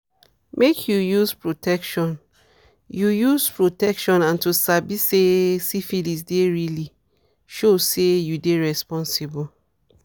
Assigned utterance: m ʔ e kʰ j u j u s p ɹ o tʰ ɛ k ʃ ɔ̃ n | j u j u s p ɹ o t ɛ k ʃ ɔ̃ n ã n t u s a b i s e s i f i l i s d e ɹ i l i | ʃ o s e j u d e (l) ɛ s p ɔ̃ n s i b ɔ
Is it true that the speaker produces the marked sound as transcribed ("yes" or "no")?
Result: no